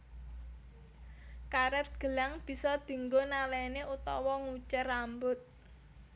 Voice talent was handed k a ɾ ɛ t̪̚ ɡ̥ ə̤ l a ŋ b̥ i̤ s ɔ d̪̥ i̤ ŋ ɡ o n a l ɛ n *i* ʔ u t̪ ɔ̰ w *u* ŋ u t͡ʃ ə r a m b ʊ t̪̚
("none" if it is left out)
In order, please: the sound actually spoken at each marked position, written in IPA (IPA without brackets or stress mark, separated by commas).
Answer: e, ɔ